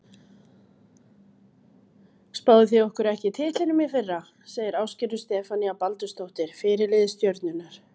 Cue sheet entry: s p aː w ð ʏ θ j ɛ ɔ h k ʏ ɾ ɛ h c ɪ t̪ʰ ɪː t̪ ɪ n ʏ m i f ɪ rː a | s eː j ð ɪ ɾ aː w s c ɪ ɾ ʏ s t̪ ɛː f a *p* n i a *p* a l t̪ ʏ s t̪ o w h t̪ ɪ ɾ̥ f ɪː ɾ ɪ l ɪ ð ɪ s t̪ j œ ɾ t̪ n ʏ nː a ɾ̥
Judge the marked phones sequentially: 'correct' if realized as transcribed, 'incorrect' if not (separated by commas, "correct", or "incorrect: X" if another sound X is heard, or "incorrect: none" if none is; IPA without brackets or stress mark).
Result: incorrect: none, correct